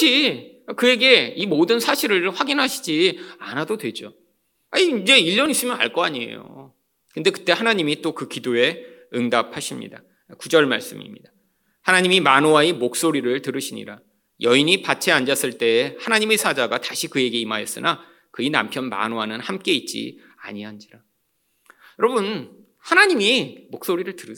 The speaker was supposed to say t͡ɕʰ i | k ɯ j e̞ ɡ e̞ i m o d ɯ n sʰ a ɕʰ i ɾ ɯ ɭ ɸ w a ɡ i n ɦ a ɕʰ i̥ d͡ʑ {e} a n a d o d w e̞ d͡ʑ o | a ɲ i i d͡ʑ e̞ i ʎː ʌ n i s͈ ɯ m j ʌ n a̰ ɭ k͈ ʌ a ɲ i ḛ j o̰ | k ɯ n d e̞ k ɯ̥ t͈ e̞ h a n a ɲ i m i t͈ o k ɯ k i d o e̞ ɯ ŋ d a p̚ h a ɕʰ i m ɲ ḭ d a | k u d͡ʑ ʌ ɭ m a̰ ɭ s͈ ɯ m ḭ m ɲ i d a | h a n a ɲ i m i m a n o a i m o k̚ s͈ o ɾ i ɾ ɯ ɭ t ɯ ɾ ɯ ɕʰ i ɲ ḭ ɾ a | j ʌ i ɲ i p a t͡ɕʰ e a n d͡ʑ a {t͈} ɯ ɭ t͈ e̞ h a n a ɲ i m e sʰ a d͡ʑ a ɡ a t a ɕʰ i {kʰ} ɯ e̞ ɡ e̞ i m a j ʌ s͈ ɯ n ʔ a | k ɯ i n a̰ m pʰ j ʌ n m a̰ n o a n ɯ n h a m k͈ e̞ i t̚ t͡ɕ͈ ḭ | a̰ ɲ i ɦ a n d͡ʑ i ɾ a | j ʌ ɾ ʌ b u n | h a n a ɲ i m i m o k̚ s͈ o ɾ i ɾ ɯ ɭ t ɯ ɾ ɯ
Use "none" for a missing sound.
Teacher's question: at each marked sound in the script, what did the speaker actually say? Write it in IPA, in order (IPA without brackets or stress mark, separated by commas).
i, s͈, k